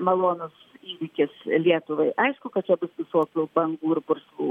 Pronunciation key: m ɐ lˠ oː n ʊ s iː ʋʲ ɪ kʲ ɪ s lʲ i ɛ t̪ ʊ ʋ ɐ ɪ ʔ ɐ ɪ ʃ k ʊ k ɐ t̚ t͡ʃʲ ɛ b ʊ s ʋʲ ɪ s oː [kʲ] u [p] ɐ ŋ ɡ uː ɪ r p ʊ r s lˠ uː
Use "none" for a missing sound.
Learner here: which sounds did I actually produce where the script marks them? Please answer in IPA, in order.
kʲ, b

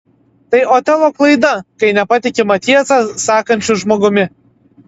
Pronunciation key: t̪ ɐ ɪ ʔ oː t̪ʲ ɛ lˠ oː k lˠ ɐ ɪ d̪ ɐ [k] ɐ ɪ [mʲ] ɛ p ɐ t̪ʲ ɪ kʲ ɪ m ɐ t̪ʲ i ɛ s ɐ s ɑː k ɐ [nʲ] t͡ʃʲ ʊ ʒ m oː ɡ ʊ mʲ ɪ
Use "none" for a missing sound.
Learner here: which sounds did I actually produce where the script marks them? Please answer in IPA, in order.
k, nʲ, nʲ

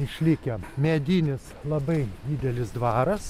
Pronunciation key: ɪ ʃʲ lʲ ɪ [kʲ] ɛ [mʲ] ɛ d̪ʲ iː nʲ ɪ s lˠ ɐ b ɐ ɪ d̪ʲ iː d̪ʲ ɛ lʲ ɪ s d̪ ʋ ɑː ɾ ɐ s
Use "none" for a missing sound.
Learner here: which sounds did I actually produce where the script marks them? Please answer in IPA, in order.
kʲ, mʲ

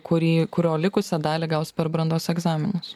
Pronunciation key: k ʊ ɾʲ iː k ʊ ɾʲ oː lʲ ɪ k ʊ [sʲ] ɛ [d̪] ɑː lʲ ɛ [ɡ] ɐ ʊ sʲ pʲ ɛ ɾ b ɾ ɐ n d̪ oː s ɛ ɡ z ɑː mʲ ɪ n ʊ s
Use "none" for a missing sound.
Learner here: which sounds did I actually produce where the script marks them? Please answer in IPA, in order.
sʲ, d̪, ɡ

